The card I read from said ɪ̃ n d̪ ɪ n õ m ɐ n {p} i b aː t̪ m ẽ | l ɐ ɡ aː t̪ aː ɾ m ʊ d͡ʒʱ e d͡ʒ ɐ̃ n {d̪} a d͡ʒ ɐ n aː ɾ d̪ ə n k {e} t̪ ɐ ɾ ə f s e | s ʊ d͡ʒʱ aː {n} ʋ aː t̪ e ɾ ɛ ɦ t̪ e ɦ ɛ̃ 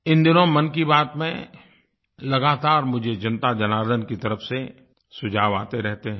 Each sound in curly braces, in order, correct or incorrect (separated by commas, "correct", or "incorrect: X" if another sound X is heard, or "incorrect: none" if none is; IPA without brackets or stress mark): incorrect: k, incorrect: t̪, incorrect: i, incorrect: none